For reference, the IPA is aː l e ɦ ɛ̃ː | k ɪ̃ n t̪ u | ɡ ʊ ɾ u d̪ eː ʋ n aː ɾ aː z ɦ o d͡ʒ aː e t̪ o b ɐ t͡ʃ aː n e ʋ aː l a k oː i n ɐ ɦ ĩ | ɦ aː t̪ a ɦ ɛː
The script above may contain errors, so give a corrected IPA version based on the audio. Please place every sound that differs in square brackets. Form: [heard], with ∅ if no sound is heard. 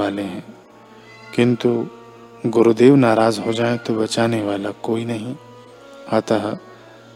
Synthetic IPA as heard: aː l e ɦ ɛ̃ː | k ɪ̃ n t̪ u | ɡ ʊ ɾ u d̪ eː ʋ n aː ɾ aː z ɦ o d͡ʒ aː e t̪ o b ɐ t͡ʃ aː n e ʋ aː l a k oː i n ɐ ɦ ĩ | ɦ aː t̪ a ɦ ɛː